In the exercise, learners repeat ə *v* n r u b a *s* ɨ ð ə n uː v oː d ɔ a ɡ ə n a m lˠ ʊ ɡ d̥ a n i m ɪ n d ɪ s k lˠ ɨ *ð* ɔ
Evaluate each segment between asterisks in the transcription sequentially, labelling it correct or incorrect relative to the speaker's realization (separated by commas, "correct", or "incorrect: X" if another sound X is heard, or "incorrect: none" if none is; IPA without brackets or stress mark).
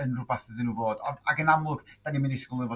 incorrect: none, incorrect: θ, incorrect: v